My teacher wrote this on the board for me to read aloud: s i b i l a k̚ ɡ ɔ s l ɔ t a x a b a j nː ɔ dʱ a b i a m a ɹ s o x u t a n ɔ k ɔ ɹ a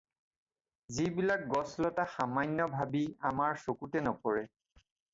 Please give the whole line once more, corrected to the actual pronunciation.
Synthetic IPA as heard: z i b i l a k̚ ɡ ɔ s l ɔ t a x a m a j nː ɔ bʱ a b i a m a ɹ s o k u t ɛ n ɔ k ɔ ɹ ɛ